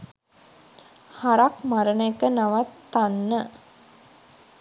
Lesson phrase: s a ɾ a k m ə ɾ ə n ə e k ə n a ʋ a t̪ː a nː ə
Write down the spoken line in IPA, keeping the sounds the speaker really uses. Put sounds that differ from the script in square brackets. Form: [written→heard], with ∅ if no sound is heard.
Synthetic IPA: [s→h] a ɾ a k m [ə→a] ɾ ə n ə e k ə n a ʋ a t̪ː a nː ə

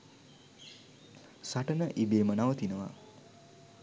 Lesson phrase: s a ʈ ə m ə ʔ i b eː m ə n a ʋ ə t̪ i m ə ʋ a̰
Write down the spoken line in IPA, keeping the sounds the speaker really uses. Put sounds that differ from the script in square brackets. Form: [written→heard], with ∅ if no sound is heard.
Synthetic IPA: s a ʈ ə [m→n] ə ʔ i b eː m ə n a ʋ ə t̪ i [m→n] ə ʋ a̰

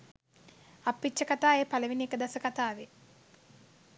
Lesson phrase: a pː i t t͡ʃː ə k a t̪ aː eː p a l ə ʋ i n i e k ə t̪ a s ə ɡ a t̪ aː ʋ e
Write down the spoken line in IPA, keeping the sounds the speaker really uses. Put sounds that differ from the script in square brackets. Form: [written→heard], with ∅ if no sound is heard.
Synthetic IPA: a pː i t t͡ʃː ə k a t̪ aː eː p a l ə ʋ i n i e k ə [t̪→d̪] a s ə [ɡ→k] a t̪ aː ʋ e

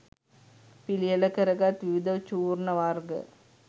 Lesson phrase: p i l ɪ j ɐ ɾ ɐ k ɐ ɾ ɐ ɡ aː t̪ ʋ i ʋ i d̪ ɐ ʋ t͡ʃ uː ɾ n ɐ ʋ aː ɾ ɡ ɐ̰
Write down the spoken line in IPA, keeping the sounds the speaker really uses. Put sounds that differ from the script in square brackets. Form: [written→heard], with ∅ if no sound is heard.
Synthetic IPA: p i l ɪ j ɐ [ɾ→l] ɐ k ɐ ɾ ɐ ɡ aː t̪ ʋ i ʋ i d̪ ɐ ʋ t͡ʃ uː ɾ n ɐ ʋ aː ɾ ɡ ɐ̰

